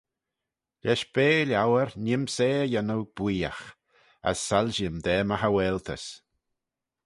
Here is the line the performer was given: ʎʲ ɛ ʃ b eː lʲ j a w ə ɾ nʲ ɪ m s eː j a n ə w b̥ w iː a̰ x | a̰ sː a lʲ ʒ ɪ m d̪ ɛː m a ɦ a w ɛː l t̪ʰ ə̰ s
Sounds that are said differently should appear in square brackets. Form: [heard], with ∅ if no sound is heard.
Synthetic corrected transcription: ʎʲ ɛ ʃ b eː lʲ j a w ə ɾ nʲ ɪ m s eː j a n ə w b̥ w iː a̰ x | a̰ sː a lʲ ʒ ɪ m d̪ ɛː m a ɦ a w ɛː l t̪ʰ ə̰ s